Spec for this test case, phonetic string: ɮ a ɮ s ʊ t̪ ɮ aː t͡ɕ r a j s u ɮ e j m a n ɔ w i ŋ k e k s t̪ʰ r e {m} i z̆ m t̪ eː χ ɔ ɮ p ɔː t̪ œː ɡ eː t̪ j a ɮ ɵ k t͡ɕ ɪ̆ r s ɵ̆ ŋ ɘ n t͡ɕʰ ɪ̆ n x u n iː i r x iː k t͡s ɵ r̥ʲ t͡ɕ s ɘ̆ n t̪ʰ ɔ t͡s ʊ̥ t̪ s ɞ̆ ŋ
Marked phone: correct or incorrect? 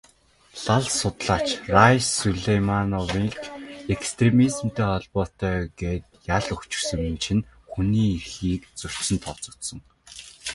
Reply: correct